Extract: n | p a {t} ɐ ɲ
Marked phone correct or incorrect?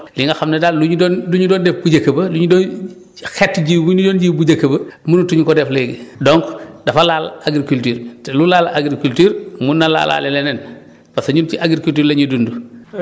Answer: incorrect